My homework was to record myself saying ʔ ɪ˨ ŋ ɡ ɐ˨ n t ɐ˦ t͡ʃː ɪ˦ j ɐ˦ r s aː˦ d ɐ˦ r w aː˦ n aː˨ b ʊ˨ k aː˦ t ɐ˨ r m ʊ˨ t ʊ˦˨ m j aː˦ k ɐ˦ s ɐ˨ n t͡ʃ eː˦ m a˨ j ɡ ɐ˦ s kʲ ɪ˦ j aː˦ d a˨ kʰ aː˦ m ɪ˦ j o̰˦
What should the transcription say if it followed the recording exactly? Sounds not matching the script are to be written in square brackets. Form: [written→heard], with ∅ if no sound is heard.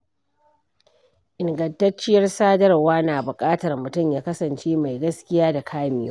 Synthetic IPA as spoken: ʔ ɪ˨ ŋ ɡ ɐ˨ n t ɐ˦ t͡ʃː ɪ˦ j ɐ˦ r s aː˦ d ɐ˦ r w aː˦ n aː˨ b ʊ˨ [k→kʼ] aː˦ t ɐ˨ r m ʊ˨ t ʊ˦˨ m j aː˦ k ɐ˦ s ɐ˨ n t͡ʃ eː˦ m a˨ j ɡ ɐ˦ s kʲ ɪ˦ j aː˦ d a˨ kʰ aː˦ m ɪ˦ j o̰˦